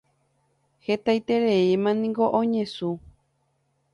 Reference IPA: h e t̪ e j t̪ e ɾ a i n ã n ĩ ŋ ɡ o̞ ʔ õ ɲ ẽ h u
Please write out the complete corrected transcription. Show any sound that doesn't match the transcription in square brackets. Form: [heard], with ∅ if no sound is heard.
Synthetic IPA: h e t̪ [a] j t̪ e ɾ [e] i [m] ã n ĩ ŋ ɡ o̞ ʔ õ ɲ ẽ [s] u

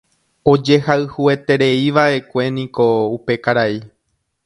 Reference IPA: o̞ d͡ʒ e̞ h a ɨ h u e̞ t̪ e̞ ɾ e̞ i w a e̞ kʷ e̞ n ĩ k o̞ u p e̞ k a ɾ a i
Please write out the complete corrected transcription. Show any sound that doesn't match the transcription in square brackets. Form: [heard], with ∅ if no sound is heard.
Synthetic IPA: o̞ d͡ʒ e̞ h a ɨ h u e̞ t̪ e̞ ɾ e̞ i [ʋ] a e̞ kʷ e̞ n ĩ k o̞ u p e̞ k a ɾ a i

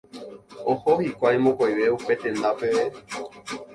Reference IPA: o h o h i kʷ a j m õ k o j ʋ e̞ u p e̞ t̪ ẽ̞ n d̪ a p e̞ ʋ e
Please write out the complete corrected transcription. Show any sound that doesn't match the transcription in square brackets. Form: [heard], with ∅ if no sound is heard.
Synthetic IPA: o h o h i kʷ a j m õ k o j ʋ e̞ u p e̞ t̪ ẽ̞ n d̪ a p e̞ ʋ e

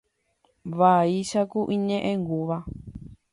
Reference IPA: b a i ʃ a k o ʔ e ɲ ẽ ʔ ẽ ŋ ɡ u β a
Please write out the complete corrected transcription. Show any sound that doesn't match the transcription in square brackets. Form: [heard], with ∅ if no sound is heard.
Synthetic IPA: [β] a i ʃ a k [u] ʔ [i] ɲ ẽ ʔ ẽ ŋ ɡ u β a

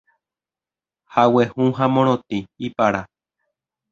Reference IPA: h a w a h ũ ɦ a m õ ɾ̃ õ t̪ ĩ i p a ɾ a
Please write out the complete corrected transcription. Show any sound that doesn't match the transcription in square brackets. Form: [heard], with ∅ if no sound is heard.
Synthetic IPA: h a w [e] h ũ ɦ a m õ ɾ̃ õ t̪ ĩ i p a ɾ a

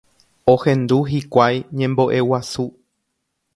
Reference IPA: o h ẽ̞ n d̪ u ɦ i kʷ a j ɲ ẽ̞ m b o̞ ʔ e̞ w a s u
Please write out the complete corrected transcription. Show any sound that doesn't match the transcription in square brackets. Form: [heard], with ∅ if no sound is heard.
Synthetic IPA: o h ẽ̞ n d̪ u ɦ i kʷ a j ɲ ẽ̞ m b o̞ ʔ e̞ w a s u

